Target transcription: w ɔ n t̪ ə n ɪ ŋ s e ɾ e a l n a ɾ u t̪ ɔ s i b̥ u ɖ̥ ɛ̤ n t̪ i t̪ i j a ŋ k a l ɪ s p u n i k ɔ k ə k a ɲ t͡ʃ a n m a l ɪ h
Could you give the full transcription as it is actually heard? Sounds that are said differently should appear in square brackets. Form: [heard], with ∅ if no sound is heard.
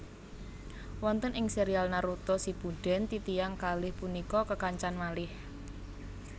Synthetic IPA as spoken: w ɔ n t̪ ə n ɪ ŋ s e ɾ [i] a l n a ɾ u t̪ ɔ s i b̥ u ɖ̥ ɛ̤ n t̪ i t̪ i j a ŋ k a l ɪ [h] p u n i k ɔ k ə k a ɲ t͡ʃ a n m a l ɪ h